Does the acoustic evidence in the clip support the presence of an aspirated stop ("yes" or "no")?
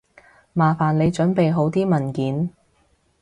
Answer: no